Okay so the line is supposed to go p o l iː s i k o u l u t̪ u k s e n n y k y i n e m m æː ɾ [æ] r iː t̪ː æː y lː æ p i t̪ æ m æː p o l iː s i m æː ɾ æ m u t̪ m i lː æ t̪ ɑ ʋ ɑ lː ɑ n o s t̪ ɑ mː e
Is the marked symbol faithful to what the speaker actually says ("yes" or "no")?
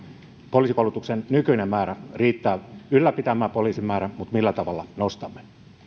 yes